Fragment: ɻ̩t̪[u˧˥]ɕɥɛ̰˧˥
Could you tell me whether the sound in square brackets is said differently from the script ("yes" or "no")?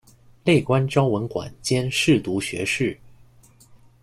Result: no